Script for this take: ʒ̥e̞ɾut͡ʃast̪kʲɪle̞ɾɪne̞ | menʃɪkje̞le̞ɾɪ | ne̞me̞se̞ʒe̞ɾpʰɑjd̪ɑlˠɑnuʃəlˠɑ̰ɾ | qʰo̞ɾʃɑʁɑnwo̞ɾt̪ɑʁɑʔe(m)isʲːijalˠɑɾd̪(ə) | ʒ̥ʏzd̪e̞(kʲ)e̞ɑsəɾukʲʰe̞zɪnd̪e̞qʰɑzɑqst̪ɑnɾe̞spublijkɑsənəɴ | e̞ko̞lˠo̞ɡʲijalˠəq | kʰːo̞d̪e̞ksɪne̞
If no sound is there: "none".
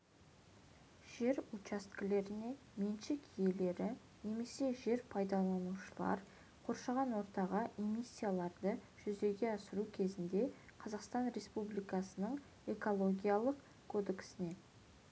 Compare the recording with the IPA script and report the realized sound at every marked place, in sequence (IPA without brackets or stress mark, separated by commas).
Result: m, ə, ɡʲ